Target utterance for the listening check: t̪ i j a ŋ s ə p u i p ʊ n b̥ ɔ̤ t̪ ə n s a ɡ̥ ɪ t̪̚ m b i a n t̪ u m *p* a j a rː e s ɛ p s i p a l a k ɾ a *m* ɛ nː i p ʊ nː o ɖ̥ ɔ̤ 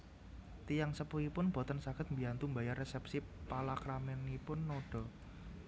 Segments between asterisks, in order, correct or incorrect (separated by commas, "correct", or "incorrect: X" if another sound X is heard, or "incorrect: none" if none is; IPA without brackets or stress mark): incorrect: b, correct